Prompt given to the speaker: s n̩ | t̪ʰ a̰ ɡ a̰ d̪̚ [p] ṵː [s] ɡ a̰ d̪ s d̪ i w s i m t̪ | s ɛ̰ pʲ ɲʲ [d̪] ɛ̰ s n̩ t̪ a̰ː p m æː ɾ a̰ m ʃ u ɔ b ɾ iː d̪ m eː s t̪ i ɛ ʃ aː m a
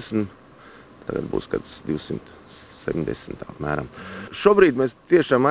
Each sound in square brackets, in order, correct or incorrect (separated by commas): incorrect, correct, correct